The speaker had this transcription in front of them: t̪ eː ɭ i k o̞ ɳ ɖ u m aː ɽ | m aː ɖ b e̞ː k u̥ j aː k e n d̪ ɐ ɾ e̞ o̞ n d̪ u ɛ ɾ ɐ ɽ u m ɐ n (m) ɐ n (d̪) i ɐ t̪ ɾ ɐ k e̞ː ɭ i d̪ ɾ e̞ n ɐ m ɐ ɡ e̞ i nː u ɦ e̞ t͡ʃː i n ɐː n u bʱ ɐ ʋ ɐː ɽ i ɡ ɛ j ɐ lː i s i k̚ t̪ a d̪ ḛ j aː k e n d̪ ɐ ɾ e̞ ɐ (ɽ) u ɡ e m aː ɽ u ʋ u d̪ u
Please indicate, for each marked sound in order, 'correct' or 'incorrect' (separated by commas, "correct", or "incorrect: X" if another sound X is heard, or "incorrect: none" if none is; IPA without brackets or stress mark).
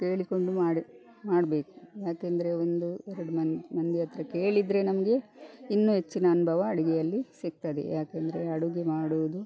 correct, correct, correct